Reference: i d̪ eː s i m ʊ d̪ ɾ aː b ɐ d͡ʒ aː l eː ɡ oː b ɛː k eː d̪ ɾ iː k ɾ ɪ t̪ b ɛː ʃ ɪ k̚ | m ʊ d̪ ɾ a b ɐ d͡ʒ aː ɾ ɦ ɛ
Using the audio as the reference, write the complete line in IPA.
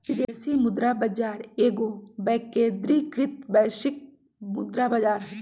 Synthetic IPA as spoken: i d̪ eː s i m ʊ d̪ ɾ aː b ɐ d͡ʒ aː ɾ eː ɡ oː b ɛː k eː d̪ ɾ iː k ɾ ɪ t̪ b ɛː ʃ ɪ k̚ | m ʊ d̪ ɾ a b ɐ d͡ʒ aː ɾ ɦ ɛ